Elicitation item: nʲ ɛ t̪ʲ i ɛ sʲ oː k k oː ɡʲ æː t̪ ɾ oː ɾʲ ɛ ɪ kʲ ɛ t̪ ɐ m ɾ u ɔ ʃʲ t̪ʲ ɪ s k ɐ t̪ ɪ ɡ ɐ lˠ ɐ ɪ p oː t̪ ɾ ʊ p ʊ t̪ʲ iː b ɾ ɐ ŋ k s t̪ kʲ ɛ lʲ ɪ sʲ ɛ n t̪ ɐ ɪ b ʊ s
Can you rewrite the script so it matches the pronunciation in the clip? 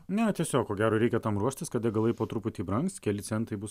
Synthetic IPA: nʲ ɛ t̪ʲ i ɛ sʲ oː k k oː ɡʲ æː ɾ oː ɾʲ ɛ ɪ kʲ ɛ t̪ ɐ m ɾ u ɔ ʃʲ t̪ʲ ɪ s k ɐ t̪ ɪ ɡ ɐ lˠ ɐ ɪ p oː t̪ ɾ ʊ p ʊ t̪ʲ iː b ɾ ɐ ŋ k s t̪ kʲ ɛ lʲ ɪ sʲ ɛ n t̪ ɐ ɪ b ʊ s

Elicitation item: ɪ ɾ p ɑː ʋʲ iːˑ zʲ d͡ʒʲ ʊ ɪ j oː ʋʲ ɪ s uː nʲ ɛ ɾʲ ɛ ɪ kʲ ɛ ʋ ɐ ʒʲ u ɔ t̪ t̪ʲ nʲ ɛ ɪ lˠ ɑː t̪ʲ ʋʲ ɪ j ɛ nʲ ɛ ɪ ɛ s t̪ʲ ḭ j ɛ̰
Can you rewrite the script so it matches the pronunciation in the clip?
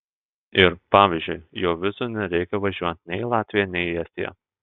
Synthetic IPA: ɪ ɾ p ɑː ʋʲ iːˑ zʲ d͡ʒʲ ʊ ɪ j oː ʋʲ ɪ s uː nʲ ɛ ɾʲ ɛ ɪ kʲ ɛ ʋ ɐ ʒʲ u ɔ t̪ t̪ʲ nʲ ɛ ɪ lˠ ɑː t̪ʲ ʋʲ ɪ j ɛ nʲ ɛ ɪ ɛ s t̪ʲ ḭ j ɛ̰

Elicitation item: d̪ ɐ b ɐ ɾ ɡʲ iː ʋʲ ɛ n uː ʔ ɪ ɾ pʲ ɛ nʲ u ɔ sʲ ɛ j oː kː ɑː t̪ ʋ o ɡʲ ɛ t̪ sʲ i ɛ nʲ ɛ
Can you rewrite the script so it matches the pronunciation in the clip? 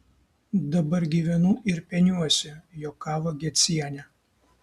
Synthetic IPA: d̪ ɐ b ɐ ɾ ɡʲ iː ʋʲ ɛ n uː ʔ ɪ ɾ pʲ ɛ nʲ u ɔ sʲ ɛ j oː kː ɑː ʋ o ɡʲ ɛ t̪ sʲ i ɛ nʲ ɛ

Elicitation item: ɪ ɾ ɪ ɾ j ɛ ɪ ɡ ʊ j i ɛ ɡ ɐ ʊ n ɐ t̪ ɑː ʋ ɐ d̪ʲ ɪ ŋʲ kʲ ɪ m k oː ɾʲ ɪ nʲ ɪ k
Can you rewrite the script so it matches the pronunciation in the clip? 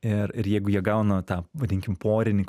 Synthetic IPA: ɪ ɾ ɪ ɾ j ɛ ɪ ɡ ʊ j i ɛ ɡ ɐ ʊ n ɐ t̪ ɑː ʋ ɐ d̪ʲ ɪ ŋʲ kʲ ɪ m p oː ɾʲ ɪ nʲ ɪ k

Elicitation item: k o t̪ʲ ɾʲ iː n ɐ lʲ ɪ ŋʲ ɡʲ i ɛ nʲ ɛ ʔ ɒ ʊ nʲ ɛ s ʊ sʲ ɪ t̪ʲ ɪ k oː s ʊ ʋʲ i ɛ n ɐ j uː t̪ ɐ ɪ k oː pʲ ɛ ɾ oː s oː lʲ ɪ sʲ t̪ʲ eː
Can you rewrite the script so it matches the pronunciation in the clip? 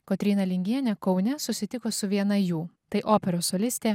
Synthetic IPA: k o t̪ʲ ɾʲ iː n ɐ lʲ ɪ ŋʲ ɡʲ i ɛ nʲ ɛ k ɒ ʊ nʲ ɛ s ʊ sʲ ɪ t̪ʲ ɪ k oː s ʊ ʋʲ i ɛ n ɐ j uː t̪ ɐ ɪ ʔ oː pʲ ɛ ɾ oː s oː lʲ ɪ sʲ t̪ʲ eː

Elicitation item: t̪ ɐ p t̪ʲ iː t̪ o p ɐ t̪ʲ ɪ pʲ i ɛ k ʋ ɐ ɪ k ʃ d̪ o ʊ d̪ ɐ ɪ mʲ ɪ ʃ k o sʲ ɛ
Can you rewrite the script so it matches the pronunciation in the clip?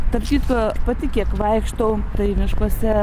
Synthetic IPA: t̪ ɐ p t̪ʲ iː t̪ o p ɐ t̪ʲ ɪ kʲ i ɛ k ʋ ɐ ɪ k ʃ t̪ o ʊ t̪ ɐ ɪ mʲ ɪ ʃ k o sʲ ɛ

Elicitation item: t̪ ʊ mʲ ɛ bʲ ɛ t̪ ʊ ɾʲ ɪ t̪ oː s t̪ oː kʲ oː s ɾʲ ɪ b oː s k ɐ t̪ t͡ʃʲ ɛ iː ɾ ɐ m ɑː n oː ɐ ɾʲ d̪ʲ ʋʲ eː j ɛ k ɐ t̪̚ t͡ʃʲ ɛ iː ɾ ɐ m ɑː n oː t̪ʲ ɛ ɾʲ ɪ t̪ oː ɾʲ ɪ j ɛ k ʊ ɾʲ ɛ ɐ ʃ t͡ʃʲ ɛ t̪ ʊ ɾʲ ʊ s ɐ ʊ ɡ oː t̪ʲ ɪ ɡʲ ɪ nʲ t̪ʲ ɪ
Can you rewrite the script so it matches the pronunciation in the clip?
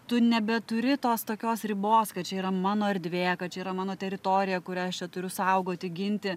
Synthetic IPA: t̪ ʊ nʲ ɛ bʲ ɛ t̪ ʊ ɾʲ ɪ t̪ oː s t̪ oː kʲ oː s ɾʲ ɪ b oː s k ɐ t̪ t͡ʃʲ ɛ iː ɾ ɐ m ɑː n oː ɐ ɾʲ d̪ʲ ʋʲ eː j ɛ k ɐ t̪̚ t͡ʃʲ ɛ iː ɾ ɐ m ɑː n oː t̪ʲ ɛ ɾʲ ɪ t̪ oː ɾʲ ɪ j ɛ k ʊ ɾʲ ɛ ɐ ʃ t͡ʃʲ ɛ t̪ ʊ ɾʲ ʊ s ɐ ʊ ɡ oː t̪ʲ ɪ ɡʲ ɪ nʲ t̪ʲ ɪ

